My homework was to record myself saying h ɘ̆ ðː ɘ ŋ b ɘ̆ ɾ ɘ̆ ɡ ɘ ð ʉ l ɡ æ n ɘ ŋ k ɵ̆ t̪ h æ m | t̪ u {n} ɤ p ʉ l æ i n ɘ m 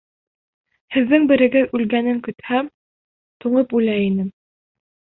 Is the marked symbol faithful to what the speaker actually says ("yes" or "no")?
no